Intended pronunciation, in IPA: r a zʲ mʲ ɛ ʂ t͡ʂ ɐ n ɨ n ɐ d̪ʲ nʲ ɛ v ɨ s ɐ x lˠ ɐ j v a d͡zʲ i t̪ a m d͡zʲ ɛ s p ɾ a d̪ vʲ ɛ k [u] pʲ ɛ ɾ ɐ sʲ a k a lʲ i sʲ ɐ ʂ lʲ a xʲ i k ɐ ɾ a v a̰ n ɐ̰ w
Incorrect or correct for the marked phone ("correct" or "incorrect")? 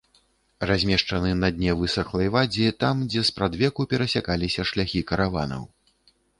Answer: correct